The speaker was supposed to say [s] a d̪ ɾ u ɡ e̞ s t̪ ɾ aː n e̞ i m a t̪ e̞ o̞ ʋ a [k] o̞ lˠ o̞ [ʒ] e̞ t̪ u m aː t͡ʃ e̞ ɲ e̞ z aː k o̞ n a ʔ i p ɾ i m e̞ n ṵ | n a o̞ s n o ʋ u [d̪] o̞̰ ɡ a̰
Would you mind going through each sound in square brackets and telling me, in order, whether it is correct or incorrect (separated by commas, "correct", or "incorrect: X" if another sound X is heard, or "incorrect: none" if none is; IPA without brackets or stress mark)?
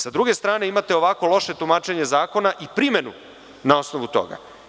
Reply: correct, correct, incorrect: ʃ, incorrect: t̪